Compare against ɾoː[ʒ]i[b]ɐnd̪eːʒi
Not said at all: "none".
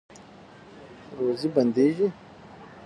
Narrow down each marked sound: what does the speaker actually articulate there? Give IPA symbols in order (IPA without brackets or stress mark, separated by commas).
z, b